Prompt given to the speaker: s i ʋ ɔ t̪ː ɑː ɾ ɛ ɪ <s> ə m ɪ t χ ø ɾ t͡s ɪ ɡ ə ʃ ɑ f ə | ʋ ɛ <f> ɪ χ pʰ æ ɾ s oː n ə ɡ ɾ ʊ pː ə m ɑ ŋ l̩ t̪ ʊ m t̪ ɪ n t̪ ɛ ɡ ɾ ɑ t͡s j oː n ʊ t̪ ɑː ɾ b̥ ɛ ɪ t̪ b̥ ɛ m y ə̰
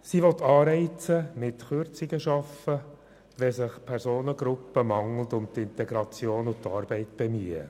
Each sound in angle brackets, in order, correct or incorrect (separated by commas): incorrect, incorrect